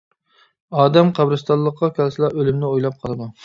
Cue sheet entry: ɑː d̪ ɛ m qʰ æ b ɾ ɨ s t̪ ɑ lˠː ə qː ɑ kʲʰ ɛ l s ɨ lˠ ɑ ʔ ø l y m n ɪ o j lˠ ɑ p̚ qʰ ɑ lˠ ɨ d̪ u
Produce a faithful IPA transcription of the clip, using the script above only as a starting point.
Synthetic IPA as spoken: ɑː d̪ ɛ m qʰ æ b ɾ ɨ s t̪ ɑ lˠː ə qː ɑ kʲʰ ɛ l s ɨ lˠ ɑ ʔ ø l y m n ɪ o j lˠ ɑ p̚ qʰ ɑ lˠ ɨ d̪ u